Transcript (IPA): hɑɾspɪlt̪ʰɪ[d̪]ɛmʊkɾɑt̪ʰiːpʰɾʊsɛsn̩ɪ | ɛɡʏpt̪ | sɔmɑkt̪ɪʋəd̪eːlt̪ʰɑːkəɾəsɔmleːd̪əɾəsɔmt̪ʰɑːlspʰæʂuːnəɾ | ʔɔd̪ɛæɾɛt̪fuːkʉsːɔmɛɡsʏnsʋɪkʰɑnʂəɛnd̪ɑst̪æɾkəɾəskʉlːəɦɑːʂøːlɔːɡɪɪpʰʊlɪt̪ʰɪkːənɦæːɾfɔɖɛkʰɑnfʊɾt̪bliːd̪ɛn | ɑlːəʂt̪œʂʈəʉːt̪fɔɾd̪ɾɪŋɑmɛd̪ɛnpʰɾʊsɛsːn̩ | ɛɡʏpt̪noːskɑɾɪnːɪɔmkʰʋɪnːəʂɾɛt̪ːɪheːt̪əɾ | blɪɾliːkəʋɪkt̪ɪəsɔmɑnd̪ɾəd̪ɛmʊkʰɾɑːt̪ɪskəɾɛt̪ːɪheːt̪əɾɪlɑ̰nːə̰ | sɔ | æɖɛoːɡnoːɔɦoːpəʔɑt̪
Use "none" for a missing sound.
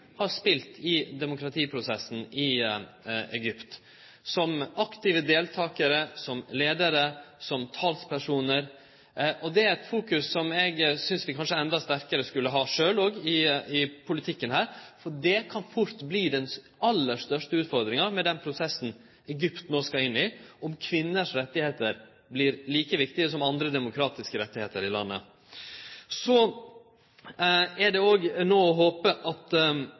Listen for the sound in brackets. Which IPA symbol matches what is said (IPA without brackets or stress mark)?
d̪